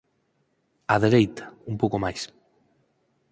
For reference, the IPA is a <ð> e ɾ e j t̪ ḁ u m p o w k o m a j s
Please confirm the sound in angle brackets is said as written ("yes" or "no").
yes